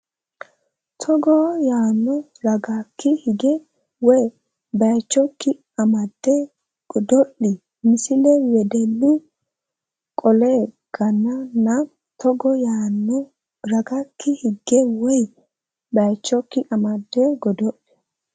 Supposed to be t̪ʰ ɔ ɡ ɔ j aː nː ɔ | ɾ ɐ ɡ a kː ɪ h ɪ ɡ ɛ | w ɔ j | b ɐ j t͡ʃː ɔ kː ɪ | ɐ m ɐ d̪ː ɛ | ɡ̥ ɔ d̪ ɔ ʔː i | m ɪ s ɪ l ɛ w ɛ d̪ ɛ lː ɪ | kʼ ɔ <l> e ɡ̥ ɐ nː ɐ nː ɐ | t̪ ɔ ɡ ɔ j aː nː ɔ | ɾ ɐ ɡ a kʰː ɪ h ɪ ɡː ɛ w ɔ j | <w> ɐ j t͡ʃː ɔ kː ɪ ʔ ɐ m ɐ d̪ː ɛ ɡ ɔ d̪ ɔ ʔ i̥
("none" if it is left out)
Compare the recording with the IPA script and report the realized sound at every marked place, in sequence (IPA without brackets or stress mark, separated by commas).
l, b